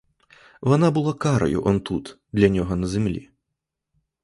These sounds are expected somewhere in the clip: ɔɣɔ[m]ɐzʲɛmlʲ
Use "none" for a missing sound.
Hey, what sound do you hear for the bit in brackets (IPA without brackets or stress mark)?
n